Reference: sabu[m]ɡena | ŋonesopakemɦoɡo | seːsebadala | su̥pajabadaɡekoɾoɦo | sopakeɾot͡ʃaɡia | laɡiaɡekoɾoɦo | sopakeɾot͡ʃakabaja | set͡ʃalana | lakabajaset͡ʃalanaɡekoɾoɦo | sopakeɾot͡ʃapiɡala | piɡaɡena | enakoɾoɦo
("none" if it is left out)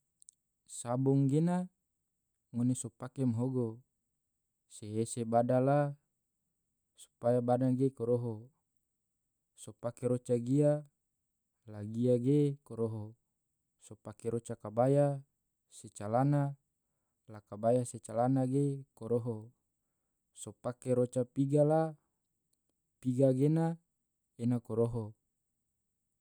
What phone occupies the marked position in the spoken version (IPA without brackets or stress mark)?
ŋ